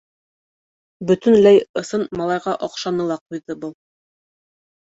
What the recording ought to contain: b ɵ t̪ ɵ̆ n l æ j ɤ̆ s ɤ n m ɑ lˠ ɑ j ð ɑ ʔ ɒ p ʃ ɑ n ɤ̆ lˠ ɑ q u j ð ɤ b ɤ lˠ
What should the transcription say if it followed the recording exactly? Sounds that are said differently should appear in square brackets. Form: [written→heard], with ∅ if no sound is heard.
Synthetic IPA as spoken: b ɵ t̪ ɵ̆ n l æ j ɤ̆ s ɤ n m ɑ lˠ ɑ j [ð→ʁ] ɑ ʔ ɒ [p→q] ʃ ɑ n ɤ̆ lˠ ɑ q u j ð ɤ b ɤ lˠ